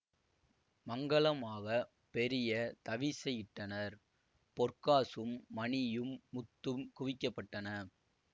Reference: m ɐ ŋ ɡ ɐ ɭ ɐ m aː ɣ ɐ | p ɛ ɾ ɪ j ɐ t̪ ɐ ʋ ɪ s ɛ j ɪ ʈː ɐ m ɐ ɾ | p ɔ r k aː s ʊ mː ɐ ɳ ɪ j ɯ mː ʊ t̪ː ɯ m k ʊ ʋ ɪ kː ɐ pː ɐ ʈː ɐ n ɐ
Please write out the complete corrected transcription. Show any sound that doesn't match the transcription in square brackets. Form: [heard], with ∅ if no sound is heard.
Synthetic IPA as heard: m ɐ ŋ ɡ ɐ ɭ ɐ m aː ɣ ɐ | p ɛ ɾ ɪ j ɐ t̪ ɐ ʋ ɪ s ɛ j ɪ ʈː ɐ [n] ɐ ɾ | p ɔ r k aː s [ɯ] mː ɐ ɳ ɪ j ɯ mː ʊ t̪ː ɯ m k ʊ ʋ ɪ kː ɐ pː ɐ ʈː ɐ n ɐ